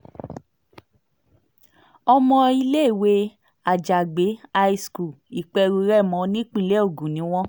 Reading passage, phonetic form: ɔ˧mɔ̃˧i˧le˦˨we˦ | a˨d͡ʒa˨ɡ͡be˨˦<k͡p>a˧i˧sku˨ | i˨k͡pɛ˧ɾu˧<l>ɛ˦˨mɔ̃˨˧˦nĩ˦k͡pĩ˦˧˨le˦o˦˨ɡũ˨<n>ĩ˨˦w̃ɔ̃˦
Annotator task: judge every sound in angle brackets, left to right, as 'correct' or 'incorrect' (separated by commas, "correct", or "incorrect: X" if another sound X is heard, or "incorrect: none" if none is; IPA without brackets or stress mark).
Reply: incorrect: none, incorrect: ɾ, correct